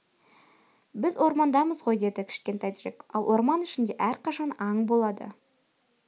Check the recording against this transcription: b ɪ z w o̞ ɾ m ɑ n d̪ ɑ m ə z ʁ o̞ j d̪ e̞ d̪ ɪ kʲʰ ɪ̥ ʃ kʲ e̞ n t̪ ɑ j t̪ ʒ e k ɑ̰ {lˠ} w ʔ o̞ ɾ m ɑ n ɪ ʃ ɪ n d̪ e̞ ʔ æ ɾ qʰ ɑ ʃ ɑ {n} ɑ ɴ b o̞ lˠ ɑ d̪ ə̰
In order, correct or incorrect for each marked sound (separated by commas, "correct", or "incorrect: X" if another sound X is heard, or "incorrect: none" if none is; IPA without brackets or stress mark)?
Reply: correct, correct